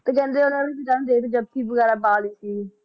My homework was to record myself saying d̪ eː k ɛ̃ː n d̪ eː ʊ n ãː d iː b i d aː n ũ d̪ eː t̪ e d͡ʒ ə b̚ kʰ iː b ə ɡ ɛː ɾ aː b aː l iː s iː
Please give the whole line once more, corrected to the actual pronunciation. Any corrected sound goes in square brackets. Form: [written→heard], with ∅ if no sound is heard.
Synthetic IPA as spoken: [d̪→t̪] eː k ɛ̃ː n d̪ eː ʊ n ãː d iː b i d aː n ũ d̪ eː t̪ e d͡ʒ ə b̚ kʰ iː b ə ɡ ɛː ɾ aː b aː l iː s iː